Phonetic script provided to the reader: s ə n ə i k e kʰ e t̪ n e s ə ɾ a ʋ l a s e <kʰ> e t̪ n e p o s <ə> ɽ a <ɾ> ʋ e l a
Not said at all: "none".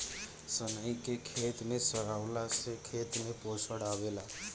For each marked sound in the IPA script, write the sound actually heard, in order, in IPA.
kʰ, ə, none

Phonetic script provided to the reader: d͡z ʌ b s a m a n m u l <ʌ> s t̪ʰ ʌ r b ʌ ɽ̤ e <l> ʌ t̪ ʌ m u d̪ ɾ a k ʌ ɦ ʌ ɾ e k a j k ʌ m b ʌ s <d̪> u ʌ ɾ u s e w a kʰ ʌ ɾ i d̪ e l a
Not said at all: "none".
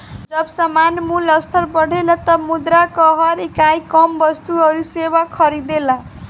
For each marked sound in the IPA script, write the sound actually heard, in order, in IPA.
ʌ, l, t̪

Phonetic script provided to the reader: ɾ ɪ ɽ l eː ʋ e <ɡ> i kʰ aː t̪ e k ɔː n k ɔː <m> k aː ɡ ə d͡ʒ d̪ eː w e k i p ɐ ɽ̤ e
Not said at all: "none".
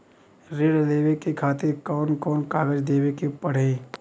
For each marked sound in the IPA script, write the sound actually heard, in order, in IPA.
k, n

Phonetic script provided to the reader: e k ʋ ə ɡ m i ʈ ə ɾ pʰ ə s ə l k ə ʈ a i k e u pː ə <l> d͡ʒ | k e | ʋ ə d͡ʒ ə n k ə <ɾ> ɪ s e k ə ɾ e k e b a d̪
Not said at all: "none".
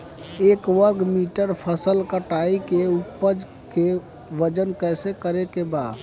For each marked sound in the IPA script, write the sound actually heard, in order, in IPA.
none, none

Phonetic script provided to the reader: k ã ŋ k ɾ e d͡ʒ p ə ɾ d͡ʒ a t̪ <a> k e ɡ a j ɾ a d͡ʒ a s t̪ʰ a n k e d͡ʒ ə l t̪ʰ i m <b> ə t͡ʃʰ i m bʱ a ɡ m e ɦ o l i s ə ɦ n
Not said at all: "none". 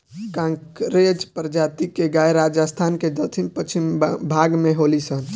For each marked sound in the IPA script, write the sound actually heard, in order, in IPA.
i, p

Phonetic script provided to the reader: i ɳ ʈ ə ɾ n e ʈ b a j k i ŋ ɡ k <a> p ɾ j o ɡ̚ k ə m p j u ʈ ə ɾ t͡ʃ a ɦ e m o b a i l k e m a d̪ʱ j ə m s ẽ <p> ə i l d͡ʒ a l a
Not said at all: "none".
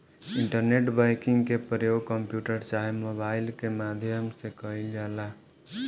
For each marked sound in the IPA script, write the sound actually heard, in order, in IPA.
e, k

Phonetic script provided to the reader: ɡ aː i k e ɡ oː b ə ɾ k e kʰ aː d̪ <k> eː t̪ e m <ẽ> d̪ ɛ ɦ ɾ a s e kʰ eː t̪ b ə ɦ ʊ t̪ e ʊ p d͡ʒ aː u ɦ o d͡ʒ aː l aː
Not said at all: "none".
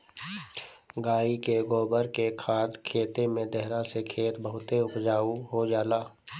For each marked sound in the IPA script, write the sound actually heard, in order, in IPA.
kʰ, ẽ

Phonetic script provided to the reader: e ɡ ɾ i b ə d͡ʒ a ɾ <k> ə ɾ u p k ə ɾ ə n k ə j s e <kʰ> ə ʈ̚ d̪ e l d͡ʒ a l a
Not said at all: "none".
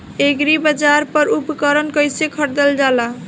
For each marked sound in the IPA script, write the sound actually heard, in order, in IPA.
p, kʰ

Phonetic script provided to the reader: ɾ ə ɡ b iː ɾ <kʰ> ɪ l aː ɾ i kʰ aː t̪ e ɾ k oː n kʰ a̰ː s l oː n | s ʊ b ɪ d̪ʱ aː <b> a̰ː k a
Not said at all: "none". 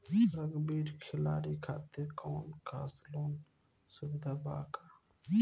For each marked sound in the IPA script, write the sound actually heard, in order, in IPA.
kʰ, b

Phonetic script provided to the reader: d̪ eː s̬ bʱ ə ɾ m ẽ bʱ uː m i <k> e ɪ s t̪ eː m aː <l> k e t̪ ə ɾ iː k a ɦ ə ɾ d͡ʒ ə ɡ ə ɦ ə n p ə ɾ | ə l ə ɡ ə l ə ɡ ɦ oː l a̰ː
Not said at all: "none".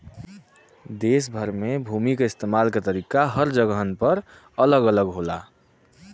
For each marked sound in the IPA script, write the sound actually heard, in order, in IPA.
k, l

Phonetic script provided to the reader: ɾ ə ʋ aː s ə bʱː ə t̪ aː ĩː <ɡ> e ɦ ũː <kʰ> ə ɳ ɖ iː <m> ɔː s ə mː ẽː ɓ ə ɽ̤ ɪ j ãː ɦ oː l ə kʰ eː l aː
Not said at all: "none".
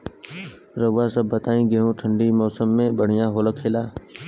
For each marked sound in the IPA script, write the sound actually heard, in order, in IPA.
ɡ, ʈʰ, m

